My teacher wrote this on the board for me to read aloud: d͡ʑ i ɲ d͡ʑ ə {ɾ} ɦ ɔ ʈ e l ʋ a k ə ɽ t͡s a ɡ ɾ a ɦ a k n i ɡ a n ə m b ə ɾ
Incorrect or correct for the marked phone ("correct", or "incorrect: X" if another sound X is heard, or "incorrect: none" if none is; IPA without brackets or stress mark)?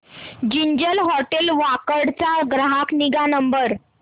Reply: incorrect: l